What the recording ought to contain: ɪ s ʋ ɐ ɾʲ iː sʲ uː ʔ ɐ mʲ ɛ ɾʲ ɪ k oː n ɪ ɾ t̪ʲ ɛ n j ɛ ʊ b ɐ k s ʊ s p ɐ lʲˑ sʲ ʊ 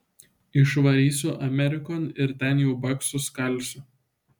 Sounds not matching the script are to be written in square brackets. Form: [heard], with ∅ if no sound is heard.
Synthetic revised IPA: ɪ [ʃ] ʋ ɐ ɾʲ iː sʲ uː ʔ ɐ mʲ ɛ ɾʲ ɪ k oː n ɪ ɾ t̪ʲ ɛ n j ɛ ʊ b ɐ k s ʊ s [k] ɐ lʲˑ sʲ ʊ